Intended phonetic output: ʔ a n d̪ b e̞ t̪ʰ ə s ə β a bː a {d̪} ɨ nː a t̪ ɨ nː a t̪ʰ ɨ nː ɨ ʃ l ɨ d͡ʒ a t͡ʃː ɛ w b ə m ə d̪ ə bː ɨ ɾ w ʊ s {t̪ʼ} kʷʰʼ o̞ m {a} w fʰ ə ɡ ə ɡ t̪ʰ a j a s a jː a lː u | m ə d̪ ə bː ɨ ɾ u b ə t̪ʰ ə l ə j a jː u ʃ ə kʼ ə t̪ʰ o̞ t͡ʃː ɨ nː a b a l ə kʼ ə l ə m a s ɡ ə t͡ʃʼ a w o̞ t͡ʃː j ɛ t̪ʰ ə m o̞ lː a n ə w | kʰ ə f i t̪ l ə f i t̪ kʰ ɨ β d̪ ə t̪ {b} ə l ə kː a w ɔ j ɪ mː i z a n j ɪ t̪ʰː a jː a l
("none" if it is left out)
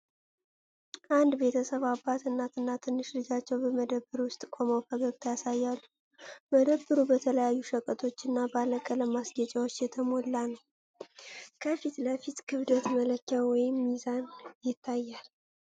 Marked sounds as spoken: t̪, t̪ʼ, ə, m

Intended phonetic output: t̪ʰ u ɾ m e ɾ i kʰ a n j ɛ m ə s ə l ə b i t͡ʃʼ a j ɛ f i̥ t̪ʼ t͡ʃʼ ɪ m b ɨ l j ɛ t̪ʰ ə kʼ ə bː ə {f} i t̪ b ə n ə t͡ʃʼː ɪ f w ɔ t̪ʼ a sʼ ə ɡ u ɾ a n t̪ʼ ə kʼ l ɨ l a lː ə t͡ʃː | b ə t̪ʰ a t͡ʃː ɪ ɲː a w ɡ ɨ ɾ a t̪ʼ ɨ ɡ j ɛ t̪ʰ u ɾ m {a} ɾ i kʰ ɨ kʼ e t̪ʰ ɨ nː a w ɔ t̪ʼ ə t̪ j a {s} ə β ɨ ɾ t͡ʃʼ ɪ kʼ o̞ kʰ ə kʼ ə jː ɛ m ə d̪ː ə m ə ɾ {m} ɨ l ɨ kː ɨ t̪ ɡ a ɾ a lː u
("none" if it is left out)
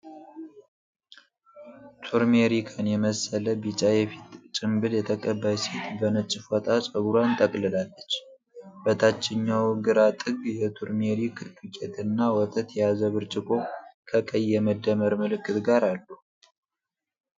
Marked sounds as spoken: s, e, z, m

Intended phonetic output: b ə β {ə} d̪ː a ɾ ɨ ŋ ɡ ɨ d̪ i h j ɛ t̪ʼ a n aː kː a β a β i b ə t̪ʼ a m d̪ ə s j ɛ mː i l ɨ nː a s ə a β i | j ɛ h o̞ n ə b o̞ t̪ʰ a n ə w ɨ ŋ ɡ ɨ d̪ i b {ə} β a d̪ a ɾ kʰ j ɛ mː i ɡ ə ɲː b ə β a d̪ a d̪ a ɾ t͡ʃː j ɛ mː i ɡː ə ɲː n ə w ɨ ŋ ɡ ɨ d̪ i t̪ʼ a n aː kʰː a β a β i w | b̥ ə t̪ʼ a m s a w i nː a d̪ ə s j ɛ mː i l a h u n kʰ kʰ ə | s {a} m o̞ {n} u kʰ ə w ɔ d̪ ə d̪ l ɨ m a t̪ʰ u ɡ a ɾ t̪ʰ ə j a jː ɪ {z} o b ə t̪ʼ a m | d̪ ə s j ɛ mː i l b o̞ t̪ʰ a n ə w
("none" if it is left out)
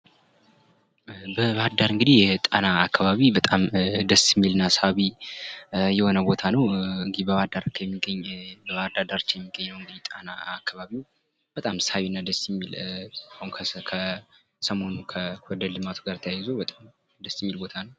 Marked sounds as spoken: a, ə, ə, n, z

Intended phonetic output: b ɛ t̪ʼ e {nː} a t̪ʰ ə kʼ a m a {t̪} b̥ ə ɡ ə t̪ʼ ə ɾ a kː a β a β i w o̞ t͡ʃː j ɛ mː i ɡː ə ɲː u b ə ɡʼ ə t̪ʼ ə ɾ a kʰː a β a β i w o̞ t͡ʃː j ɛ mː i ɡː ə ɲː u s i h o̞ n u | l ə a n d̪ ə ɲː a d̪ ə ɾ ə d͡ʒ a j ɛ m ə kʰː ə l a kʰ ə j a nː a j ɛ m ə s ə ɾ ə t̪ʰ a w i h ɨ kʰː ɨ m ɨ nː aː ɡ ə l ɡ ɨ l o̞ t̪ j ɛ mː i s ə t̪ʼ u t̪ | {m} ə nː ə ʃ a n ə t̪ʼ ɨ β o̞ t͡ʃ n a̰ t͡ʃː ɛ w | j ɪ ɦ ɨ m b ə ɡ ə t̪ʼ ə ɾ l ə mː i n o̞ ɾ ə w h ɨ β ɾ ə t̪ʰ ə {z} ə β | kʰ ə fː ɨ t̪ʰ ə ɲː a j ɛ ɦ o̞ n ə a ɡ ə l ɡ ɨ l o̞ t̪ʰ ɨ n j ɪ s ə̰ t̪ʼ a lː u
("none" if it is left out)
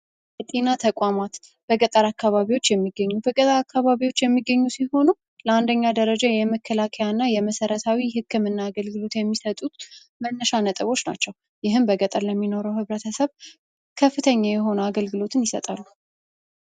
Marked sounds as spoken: n, t̪, m, s

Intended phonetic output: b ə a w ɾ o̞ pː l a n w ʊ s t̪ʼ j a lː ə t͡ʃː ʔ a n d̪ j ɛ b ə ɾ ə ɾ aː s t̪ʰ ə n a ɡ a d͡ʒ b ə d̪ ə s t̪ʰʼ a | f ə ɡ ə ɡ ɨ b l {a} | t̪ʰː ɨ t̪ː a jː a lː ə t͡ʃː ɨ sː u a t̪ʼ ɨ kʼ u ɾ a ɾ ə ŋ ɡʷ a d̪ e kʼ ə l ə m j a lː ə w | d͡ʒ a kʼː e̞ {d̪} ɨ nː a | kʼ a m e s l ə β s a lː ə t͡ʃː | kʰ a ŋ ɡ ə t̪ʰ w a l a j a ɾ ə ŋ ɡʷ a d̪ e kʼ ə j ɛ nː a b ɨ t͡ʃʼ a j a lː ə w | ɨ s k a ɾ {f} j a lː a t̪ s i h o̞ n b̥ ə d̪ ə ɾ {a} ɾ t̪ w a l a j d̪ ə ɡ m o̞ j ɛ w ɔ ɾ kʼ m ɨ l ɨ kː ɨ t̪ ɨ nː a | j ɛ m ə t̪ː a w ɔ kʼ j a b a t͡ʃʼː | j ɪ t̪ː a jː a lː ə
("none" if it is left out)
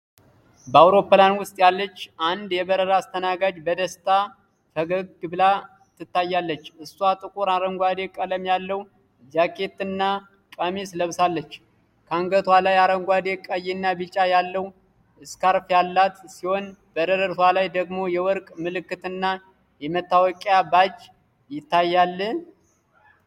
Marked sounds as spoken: a, t̪, f, ə

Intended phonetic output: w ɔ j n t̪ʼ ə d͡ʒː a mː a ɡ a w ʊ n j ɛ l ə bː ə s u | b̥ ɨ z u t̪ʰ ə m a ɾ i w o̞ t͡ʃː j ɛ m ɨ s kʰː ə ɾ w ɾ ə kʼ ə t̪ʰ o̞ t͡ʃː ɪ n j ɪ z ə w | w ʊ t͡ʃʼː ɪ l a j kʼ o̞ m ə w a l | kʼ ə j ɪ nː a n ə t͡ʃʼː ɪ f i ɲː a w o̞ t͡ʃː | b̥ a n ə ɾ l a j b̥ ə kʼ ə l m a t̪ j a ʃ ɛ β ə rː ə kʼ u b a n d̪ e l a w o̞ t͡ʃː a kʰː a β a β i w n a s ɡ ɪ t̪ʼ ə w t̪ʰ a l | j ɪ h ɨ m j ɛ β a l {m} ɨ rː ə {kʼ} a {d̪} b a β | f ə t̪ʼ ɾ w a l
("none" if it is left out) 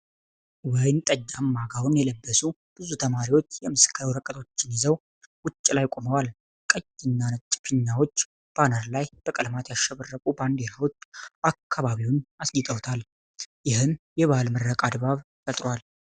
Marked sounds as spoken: m, kʼ, d̪

